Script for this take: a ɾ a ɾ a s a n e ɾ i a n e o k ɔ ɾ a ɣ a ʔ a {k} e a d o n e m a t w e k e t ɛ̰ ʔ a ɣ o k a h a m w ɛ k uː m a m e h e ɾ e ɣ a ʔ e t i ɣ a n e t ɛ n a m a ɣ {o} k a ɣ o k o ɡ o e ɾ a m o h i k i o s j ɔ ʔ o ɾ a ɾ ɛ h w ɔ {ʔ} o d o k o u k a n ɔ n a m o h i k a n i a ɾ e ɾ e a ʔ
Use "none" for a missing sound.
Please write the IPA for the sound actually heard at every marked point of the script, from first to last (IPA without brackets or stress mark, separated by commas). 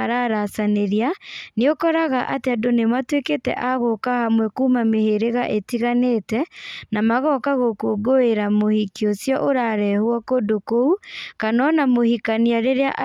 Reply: t, ɔ, k